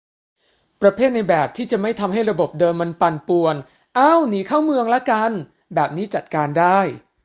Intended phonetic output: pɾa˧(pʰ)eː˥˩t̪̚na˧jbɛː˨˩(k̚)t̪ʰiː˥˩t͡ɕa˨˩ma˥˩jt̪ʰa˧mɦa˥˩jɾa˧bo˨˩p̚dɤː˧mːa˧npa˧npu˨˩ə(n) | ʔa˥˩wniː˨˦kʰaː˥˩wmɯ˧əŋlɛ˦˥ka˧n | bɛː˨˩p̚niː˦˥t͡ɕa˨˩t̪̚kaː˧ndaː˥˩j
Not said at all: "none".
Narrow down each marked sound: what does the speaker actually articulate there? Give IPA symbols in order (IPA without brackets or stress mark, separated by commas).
pʰ, p̚, n